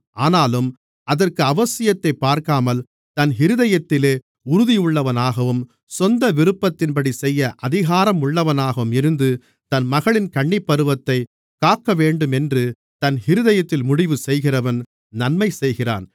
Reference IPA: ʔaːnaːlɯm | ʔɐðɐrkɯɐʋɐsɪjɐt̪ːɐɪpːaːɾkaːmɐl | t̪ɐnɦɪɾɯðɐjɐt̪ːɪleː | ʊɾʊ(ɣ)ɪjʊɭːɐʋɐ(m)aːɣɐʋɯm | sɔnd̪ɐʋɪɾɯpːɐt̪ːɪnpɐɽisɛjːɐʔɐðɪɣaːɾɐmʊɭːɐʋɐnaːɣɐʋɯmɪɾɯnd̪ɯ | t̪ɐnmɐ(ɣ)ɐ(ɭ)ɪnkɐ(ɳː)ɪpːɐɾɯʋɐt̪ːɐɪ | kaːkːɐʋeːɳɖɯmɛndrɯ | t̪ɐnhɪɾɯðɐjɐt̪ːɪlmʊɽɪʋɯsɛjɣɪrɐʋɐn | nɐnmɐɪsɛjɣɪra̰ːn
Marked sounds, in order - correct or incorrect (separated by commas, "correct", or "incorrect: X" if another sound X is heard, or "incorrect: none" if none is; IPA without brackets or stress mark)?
incorrect: ð, incorrect: n, correct, correct, correct